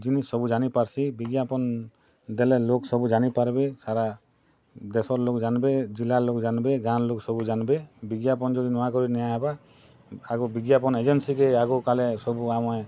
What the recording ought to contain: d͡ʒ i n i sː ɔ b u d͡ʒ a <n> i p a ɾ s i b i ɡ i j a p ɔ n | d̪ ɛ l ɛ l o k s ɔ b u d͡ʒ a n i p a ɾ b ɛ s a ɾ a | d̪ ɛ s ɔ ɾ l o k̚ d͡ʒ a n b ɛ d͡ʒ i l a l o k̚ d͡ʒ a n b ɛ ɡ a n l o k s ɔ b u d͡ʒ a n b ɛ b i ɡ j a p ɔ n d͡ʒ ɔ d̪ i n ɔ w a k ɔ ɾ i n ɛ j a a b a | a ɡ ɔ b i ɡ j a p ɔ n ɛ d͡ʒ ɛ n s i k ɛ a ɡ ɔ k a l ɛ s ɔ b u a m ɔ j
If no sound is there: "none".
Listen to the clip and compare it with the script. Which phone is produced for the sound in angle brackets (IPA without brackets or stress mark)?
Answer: n